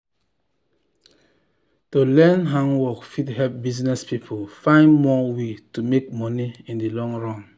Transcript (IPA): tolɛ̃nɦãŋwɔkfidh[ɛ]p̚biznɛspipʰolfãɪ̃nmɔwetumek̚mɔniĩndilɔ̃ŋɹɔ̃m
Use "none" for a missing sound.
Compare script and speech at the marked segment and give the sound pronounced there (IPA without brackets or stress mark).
ɛ